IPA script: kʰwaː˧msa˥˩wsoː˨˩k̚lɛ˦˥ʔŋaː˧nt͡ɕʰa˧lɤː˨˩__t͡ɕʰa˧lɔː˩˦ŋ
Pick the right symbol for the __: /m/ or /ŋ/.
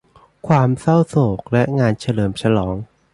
m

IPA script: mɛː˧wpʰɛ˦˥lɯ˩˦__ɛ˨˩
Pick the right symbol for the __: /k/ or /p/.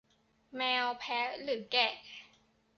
k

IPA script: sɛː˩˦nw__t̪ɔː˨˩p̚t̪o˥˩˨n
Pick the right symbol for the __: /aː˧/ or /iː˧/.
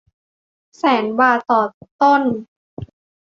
aː˧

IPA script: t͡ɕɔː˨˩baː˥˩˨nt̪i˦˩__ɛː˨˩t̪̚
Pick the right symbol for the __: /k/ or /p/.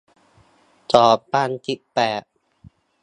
p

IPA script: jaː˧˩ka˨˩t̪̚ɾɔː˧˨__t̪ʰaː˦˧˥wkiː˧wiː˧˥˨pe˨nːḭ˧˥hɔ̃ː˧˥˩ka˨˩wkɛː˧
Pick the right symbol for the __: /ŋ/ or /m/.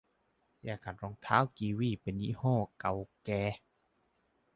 ŋ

